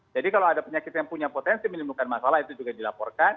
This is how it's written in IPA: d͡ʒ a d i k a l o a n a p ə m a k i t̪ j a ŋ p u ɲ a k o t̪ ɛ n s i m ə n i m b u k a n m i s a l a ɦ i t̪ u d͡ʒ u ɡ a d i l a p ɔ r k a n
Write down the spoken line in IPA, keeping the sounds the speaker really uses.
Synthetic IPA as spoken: d͡ʒ a d i k a l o a d a p ə ɲ a k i t̪ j a ŋ p u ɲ a p o t̪ ɛ n s i m ə n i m b u k a n m a s a l a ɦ i t̪ u d͡ʒ u ɡ a d i l a p ɔ r k a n